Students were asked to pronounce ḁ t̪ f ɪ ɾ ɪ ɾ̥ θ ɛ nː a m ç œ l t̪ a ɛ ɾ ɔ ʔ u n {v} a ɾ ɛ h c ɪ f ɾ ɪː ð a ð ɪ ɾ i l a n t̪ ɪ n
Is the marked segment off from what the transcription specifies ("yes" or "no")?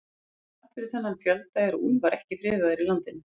no